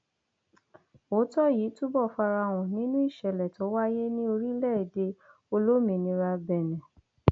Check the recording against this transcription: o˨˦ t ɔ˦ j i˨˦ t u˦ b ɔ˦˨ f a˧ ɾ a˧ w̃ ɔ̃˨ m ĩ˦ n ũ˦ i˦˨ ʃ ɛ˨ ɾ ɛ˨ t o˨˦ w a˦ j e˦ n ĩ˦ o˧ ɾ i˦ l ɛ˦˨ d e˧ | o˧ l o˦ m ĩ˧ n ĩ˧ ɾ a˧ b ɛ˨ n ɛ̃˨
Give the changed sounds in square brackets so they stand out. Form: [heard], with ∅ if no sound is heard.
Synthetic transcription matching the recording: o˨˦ t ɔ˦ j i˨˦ t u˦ b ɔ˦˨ f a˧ ɾ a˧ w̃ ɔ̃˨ [n] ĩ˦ n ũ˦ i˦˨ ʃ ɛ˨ [l] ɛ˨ t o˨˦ w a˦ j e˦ n ĩ˦ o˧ ɾ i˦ l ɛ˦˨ d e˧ | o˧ l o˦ m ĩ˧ n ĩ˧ ɾ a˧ b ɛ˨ n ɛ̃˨